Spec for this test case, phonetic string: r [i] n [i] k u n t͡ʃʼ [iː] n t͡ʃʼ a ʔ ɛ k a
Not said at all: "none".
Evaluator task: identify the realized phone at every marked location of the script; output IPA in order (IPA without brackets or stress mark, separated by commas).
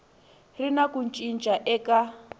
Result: i, a, i